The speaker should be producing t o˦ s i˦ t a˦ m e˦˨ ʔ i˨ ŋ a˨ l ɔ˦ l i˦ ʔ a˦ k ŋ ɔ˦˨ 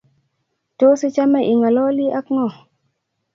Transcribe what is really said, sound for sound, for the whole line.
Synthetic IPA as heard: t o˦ s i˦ t͡ʃ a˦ m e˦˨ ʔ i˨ ŋ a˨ l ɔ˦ l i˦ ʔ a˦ k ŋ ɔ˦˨